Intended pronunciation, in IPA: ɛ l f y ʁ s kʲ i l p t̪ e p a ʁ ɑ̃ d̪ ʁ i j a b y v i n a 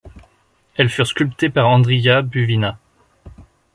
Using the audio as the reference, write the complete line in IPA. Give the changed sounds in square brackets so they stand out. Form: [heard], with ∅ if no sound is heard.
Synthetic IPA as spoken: ɛ l f y ʁ s kʲ [y] l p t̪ e p a ʁ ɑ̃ d̪ ʁ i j a b y v i n a